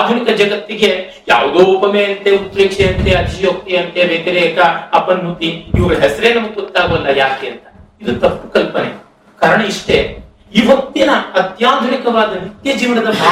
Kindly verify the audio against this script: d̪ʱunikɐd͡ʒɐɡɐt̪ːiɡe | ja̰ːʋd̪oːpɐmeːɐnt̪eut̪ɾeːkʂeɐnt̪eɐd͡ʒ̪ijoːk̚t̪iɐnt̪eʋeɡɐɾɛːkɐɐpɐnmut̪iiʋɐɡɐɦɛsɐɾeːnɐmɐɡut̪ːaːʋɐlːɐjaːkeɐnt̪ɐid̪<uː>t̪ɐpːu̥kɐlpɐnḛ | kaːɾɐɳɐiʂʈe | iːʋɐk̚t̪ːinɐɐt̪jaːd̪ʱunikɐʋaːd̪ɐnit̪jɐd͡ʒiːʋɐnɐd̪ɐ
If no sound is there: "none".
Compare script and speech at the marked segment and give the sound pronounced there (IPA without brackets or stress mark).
u